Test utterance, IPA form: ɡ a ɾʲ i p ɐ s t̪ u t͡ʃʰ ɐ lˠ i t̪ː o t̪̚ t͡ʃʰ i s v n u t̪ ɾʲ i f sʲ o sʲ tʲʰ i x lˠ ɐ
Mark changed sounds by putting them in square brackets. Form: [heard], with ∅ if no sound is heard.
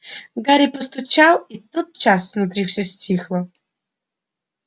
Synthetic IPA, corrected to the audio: ɡ a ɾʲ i p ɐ s t̪ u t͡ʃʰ [a] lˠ i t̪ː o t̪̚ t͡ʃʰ [a] s v n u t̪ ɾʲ i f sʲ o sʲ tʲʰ i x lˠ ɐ